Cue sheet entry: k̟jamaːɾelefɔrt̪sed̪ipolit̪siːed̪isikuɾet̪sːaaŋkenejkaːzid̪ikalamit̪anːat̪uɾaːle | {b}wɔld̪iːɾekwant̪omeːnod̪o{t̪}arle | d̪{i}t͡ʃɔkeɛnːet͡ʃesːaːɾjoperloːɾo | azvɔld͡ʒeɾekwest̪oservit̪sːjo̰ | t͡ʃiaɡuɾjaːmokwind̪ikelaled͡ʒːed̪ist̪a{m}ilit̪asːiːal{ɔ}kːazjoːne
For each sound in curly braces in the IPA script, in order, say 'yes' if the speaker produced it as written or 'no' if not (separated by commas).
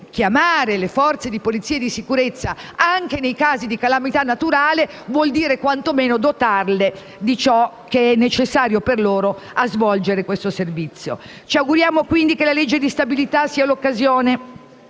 no, yes, yes, no, no